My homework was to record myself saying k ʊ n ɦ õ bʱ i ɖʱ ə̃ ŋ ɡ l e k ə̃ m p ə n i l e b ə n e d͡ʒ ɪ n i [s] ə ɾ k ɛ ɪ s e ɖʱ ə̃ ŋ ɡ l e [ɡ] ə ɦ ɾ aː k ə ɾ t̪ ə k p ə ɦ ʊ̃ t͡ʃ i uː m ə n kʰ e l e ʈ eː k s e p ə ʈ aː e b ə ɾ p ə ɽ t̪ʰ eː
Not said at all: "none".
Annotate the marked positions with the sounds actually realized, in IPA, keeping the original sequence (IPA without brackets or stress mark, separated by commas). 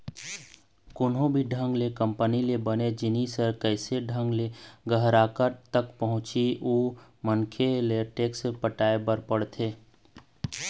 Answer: s, ɡ